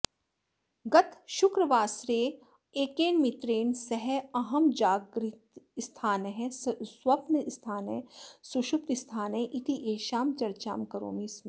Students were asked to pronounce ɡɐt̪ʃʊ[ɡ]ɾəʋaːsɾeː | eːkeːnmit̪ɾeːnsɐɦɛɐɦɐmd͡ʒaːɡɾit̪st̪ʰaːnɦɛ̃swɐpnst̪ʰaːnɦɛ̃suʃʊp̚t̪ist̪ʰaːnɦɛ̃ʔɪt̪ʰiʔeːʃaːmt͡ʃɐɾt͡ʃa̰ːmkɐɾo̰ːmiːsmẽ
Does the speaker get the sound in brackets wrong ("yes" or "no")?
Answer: yes